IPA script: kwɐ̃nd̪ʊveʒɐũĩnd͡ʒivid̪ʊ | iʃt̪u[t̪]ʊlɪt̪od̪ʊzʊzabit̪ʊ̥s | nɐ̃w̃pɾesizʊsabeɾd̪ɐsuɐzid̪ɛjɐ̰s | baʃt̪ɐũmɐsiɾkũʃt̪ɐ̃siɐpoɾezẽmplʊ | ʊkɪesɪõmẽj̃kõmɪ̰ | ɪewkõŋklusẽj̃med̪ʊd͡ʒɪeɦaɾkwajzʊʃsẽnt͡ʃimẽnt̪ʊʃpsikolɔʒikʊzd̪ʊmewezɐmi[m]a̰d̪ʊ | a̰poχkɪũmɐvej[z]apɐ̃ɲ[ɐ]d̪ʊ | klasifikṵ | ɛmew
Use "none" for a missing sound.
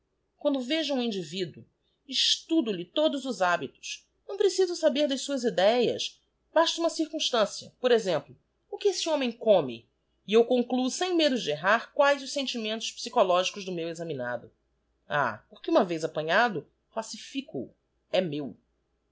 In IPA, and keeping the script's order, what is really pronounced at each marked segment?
d̪, n, z, a

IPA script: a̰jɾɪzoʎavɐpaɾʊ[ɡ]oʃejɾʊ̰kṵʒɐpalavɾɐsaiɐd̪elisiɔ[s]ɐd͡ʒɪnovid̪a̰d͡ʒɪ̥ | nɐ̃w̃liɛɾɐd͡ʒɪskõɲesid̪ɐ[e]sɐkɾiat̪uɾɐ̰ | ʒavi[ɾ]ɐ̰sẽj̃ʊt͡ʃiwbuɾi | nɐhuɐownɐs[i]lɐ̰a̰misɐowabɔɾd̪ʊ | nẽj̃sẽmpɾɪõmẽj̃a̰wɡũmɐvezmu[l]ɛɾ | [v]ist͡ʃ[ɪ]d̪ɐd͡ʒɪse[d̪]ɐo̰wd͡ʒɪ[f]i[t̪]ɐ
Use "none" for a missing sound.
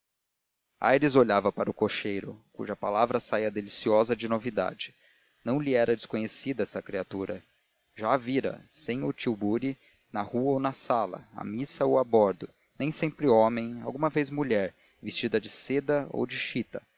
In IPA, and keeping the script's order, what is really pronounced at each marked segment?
k, z, ɛ, ɾ, a, ʎ, v, i, d̪, ʃ, t̪

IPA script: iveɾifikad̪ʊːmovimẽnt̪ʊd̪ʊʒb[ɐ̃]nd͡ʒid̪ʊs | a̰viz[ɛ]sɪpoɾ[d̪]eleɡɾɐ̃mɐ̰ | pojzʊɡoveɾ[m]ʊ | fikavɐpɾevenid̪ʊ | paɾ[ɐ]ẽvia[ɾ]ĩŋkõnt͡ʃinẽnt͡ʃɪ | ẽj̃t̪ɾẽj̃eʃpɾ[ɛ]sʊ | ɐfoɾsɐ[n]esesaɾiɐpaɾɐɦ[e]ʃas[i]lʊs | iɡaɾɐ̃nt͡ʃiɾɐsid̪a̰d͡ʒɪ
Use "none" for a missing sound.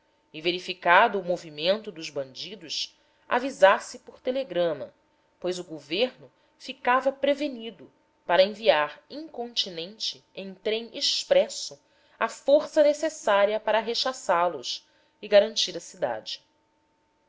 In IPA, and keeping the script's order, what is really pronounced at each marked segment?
ɐ̃, a, t̪, n, ɐ, ɾ, ɛ, n, e, a

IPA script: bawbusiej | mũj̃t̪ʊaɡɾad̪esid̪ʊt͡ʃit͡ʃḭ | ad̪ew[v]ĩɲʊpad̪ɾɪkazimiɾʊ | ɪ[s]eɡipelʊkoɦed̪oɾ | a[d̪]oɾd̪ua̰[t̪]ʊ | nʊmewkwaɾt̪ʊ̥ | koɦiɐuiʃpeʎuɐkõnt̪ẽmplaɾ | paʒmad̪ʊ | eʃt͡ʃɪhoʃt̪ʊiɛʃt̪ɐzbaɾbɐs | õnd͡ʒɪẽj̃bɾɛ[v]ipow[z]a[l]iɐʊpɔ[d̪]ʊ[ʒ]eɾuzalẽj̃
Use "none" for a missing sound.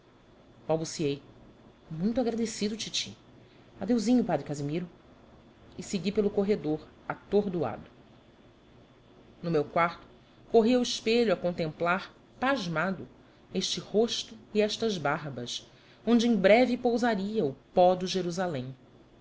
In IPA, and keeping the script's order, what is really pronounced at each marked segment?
z, s, t̪, d̪, v, z, ɾ, d̪, ʒ

